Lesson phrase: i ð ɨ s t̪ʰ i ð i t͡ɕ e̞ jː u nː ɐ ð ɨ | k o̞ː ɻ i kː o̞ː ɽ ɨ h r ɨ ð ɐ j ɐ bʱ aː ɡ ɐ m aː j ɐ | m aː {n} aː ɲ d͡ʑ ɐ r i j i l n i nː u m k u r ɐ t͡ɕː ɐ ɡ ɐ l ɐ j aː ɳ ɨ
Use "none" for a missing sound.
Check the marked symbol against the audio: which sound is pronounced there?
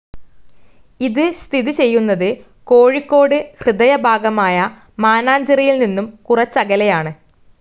n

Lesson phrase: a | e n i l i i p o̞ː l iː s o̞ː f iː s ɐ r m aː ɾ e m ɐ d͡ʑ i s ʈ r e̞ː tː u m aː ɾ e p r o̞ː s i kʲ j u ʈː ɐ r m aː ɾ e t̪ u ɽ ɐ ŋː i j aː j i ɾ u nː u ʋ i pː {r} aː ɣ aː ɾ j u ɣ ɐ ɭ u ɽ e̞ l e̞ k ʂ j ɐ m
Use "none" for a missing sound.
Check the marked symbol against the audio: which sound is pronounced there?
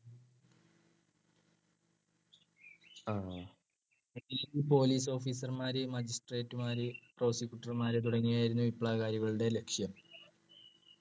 ɭ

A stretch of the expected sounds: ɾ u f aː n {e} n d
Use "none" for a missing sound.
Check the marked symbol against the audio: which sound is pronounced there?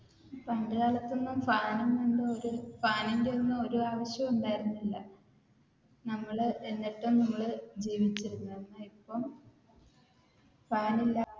i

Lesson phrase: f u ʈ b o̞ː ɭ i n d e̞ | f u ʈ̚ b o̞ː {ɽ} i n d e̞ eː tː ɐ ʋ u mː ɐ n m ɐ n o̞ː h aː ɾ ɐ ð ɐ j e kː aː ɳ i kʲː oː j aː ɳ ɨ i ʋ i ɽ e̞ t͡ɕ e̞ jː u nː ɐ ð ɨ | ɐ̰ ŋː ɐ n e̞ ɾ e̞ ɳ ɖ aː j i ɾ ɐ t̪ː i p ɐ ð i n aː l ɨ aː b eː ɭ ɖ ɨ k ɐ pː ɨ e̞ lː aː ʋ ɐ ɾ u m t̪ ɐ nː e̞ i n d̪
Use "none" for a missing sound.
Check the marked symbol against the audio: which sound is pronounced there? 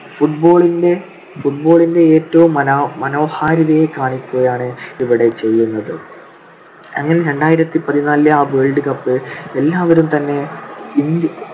ɭ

